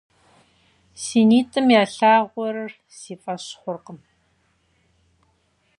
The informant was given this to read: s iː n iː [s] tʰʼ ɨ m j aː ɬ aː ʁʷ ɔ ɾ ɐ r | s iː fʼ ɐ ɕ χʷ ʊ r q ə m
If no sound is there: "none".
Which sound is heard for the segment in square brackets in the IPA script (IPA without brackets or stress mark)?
none